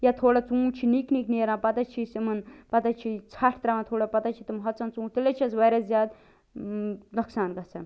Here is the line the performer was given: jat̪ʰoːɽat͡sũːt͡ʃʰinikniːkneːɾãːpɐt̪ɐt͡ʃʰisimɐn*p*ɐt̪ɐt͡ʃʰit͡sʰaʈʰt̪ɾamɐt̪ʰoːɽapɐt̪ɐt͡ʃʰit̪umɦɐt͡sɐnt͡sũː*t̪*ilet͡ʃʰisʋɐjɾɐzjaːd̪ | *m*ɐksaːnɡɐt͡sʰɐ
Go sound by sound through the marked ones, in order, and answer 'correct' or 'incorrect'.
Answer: correct, correct, incorrect

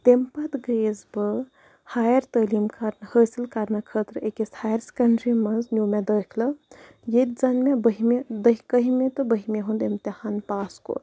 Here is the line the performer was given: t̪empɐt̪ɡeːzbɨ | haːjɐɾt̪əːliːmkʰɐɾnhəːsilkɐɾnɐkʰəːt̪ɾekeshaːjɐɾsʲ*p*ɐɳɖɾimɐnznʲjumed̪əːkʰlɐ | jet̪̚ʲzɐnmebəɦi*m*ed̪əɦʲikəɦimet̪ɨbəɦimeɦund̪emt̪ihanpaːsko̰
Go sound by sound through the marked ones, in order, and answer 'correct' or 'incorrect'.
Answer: incorrect, correct

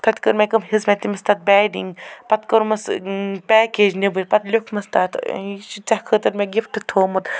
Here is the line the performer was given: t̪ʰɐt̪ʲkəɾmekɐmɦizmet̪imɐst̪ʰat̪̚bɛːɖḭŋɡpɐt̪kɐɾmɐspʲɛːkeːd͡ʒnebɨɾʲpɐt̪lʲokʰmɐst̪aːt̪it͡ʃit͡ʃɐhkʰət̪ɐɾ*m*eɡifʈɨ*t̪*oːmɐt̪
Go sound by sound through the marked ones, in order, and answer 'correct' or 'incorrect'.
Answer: correct, incorrect

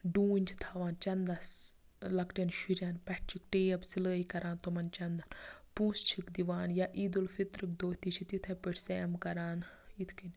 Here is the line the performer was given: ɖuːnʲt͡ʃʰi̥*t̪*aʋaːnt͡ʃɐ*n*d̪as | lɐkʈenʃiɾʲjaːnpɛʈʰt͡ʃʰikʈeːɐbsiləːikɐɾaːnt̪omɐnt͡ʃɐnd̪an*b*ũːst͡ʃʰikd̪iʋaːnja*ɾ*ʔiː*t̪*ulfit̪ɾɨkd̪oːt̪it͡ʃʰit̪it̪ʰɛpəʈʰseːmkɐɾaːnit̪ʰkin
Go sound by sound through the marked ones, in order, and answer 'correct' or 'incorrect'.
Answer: incorrect, correct, incorrect, incorrect, incorrect

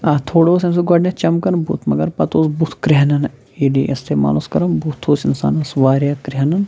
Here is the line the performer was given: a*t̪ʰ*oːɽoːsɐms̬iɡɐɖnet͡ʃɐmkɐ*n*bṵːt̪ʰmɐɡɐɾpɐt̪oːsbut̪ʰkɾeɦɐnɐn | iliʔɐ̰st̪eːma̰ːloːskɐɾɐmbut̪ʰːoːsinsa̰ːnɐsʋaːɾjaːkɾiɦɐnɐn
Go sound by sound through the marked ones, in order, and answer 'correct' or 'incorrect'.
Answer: correct, correct

